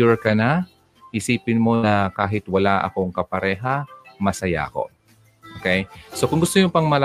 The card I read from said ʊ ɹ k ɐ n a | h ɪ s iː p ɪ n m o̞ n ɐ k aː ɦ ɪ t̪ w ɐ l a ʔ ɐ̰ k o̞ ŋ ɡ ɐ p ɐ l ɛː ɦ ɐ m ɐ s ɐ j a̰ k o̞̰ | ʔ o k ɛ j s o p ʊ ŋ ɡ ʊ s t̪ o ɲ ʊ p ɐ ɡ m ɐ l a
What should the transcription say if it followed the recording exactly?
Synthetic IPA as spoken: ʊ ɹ k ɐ n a | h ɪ s iː p ɪ n m o̞ n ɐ k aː ɦ ɪ t̪ w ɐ l a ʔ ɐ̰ k o̞ ŋ k ɐ p ɐ ɾ ɛː ɦ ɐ m ɐ s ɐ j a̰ k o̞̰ | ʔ o k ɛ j s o k ʊ ŋ ɡ ʊ s t̪ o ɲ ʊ p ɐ ŋ m ɐ l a